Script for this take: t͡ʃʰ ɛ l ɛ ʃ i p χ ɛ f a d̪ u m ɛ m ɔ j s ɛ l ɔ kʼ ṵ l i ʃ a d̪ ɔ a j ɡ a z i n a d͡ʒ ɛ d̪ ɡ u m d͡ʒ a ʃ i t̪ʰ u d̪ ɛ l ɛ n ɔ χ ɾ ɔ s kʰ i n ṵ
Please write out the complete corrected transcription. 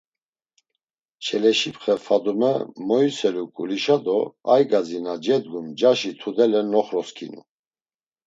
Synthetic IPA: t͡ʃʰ ɛ l ɛ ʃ i p χ ɛ f a d̪ u m ɛ m ɔ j s ɛ l u kʼ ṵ l i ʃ a d̪ ɔ a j ɡ a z i n a d͡ʒ ɛ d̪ ɡ u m d͡ʒ a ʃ i t̪ʰ u d̪ ɛ l ɛ n ɔ χ ɾ ɔ s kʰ i n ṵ